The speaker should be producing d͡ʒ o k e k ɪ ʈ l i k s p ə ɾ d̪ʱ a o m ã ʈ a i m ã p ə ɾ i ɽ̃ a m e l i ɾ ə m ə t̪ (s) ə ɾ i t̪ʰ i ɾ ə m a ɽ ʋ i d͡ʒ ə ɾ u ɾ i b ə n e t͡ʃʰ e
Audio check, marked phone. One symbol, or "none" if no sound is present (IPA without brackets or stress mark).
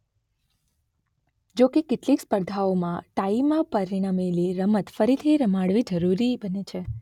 f